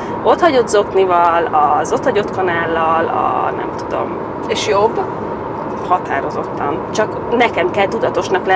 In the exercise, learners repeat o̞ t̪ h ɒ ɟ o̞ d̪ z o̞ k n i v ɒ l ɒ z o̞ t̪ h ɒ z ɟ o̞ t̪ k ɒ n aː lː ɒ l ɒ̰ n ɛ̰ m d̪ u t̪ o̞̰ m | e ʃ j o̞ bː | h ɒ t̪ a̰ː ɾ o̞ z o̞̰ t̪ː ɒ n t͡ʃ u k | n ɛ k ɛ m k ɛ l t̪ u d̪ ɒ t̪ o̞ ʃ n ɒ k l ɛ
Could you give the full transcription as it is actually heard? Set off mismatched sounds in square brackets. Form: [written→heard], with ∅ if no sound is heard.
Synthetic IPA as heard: o̞ t̪ h ɒ ɟ o̞ d̪ z o̞ k n i v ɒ l ɒ z o̞ t̪ h ɒ [z→∅] ɟ o̞ t̪ k ɒ n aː lː ɒ l ɒ̰ n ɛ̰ m [d̪→t̪] u [t̪→d̪] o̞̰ m | e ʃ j o̞ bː | h ɒ t̪ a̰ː ɾ o̞ z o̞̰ t̪ː ɒ n t͡ʃ [u→ɒ] k | n ɛ k ɛ m k ɛ l t̪ u d̪ ɒ t̪ o̞ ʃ n ɒ k l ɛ